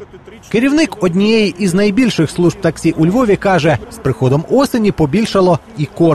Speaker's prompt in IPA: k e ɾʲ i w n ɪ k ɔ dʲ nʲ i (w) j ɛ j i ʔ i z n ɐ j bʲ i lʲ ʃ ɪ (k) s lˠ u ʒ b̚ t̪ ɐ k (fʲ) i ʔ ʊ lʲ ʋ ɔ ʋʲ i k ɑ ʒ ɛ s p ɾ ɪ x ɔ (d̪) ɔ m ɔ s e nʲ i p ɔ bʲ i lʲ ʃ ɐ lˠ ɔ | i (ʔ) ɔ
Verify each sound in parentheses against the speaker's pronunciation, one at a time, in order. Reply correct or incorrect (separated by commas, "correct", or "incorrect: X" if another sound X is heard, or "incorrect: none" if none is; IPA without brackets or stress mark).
incorrect: none, incorrect: x, incorrect: sʲ, correct, incorrect: k